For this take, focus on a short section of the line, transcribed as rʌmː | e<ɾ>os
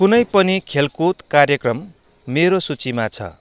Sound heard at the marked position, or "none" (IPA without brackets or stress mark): ɾ